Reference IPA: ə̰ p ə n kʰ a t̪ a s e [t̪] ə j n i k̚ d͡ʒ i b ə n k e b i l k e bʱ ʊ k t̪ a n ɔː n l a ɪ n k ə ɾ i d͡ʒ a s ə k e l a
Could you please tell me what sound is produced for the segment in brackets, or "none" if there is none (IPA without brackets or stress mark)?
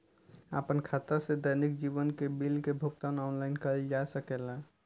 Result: d̪